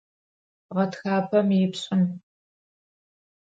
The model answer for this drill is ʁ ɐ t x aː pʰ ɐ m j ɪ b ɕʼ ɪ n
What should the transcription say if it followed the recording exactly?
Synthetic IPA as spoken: ʁ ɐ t x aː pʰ ɐ m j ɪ p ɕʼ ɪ n